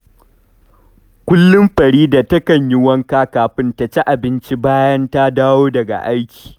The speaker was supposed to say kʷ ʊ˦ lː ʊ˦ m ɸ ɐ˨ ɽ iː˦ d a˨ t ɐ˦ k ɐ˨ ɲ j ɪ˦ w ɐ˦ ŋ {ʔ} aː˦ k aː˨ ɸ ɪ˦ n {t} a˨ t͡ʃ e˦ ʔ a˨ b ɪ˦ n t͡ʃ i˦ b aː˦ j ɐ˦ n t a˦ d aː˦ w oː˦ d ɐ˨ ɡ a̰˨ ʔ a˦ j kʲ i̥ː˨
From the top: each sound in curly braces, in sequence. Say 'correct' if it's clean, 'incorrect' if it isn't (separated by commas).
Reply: incorrect, correct